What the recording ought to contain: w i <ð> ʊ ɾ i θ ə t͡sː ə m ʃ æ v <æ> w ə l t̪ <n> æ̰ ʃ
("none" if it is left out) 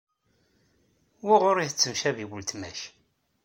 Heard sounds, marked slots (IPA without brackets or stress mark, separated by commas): ʁ, i, m